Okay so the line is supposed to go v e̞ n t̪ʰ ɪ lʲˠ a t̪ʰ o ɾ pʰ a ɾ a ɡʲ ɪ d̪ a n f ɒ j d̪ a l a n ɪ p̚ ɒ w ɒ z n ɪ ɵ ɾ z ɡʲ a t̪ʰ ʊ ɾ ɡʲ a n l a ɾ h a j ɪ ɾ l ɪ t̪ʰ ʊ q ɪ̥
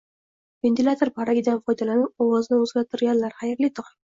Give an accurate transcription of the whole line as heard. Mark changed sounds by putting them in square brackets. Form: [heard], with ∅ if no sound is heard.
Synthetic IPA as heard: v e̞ n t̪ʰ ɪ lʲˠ a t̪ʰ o ɾ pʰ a ɾ a ɡʲ ɪ d̪ a n f ɒ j d̪ a l a n ɪ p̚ ɒ w ɒ z n ɪ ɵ [∅] z ɡʲ a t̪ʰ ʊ ɾ ɡʲ a n l a ɾ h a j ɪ ɾ l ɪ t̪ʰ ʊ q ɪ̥